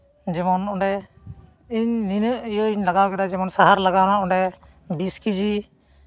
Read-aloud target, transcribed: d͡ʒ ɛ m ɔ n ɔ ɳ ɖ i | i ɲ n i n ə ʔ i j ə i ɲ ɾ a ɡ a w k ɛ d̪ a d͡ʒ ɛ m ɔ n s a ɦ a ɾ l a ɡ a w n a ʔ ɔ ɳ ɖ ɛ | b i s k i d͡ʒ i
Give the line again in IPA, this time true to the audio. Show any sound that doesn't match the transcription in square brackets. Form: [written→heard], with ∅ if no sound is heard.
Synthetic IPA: d͡ʒ ɛ m ɔ n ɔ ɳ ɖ [i→ɛ] | i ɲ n i n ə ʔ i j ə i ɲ [ɾ→l] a ɡ a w k ɛ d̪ a d͡ʒ ɛ m ɔ n s a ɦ a ɾ l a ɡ a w n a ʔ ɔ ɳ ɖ ɛ | b i s k i d͡ʒ i